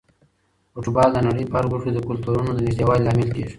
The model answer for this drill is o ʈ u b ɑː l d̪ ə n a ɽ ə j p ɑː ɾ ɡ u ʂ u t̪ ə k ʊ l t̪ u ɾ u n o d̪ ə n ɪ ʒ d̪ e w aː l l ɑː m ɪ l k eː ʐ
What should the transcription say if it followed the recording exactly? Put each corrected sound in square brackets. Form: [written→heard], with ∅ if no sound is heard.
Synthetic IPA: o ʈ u b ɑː l d̪ ə n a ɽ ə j p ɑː ɾ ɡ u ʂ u [t̪→d̪] ə k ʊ l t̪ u ɾ u n o d̪ ə n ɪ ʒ d̪ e w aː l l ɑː m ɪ l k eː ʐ

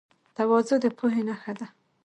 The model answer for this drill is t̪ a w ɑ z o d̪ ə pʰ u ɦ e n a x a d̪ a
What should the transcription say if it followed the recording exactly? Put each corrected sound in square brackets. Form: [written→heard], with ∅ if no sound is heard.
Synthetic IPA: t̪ a w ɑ z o d̪ ə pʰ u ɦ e n a x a d̪ a

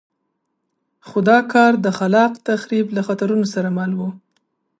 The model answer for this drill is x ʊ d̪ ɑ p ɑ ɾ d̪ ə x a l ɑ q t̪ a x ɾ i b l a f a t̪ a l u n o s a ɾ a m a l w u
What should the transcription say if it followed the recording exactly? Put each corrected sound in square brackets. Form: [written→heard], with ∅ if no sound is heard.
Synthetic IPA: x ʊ d̪ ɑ [p→k] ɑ ɾ d̪ ə x a l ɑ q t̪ a x ɾ i b l a [f→x] a t̪ a [l→ɾ] u n o s a ɾ a m a l w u

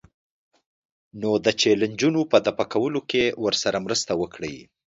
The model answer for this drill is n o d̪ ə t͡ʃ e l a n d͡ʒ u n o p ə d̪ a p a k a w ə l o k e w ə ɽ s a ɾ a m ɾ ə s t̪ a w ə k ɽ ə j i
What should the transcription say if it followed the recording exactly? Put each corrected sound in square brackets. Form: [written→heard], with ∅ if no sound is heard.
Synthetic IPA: n o d̪ ə t͡ʃ e l a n d͡ʒ u n o p ə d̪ a p a k a w ə l o k e w ə [ɽ→ɾ] s a ɾ a m ɾ ə s t̪ a w ə k ɽ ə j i

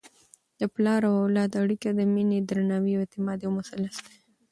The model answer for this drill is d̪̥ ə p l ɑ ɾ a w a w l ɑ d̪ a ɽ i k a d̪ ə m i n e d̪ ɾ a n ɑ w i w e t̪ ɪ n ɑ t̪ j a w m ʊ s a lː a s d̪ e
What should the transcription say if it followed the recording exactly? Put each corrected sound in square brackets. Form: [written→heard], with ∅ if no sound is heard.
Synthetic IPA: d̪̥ ə p l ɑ ɾ a w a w l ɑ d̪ a ɽ i k a d̪ ə m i n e d̪ ɾ a n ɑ w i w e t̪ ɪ [n→m] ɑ [t̪→d̪] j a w m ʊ s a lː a s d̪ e

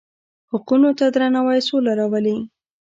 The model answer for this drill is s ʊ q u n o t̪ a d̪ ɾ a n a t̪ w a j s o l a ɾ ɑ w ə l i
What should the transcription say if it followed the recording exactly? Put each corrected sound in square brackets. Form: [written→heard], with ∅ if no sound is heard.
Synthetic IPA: [s→h] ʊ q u n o t̪ a d̪ ɾ a n a [t̪→∅] w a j s o l a ɾ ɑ w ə l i

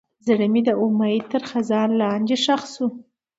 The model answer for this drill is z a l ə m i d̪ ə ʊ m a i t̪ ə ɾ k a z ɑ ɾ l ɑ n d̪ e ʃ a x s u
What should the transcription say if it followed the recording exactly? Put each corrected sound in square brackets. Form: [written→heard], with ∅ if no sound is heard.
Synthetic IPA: z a [l→ɽ] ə m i d̪ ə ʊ m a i t̪ ə ɾ [k→x] a z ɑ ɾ l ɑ n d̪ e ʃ a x s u

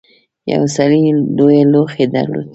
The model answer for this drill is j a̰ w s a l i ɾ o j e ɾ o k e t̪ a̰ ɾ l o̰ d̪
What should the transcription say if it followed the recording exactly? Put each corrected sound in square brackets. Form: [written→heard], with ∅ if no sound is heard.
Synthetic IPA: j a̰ w s a l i [ɾ→l] o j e [ɾ→l] o [k→x] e [t̪→d̪] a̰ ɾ l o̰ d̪

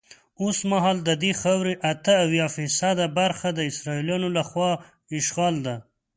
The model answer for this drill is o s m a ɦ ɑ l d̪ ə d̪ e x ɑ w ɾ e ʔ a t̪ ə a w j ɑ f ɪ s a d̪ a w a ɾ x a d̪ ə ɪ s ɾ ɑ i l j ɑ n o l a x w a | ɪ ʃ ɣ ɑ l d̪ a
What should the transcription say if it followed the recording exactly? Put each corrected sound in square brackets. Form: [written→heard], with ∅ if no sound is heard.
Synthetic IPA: o s m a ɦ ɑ l d̪ ə d̪ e x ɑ w ɾ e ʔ a t̪ ə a w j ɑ f [ɪ→i] s a d̪ a [w→b] a ɾ x a d̪ ə ɪ s ɾ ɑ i l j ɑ n o l a x w [a→ɑ] | ɪ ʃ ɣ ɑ l d̪ a

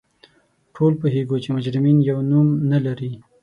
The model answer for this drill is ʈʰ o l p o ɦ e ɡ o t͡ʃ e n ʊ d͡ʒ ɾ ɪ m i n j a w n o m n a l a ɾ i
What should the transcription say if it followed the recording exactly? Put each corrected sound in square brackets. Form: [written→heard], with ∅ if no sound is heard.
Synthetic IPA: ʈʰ o l p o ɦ e ɡ o t͡ʃ e [n→m] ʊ d͡ʒ ɾ ɪ m i n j a w n [o→u] m n a l a ɾ i

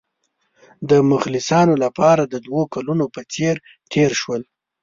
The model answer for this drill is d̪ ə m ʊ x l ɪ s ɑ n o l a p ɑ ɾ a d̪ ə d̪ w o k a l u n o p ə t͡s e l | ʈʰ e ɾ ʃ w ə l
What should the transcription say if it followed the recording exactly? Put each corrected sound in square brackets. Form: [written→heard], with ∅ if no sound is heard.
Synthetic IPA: d̪ ə m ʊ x l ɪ s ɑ n o l a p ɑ ɾ a d̪ ə d̪ w o k a l u n o p ə t͡s e [l→ɾ] | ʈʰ e ɾ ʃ w ə l

